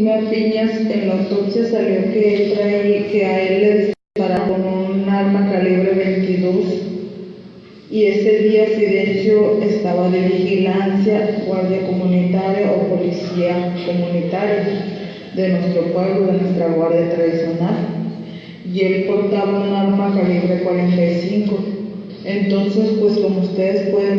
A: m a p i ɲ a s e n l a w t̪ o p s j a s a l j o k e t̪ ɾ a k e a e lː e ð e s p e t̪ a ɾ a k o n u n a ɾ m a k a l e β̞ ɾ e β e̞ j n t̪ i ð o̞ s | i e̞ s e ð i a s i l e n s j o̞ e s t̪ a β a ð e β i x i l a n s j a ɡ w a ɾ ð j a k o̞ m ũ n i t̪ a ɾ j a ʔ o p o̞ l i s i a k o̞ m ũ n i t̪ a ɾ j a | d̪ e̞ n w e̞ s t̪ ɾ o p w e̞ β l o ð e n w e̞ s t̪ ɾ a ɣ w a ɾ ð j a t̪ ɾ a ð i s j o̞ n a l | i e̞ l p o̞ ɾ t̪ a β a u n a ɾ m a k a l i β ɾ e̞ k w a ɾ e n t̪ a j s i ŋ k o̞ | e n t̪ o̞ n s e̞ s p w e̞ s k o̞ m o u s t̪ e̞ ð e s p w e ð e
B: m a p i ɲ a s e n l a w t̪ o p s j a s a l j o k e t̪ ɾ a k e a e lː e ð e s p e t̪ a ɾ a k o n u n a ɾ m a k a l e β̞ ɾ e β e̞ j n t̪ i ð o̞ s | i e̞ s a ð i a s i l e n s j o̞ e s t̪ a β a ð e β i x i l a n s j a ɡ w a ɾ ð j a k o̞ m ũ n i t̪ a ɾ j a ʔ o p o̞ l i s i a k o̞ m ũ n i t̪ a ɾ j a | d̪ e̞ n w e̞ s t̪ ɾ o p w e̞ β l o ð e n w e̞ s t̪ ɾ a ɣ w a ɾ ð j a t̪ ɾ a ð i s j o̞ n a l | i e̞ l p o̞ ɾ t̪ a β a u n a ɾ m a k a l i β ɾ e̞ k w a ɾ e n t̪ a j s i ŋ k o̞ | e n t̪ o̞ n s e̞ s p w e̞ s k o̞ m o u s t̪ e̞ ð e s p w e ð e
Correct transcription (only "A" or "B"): A